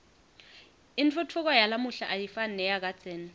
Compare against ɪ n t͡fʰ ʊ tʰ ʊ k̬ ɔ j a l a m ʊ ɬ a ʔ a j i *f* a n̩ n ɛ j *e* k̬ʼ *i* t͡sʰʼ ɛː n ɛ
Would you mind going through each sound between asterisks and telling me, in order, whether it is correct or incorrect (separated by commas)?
correct, incorrect, incorrect